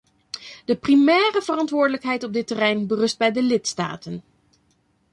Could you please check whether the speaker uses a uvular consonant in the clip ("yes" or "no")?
no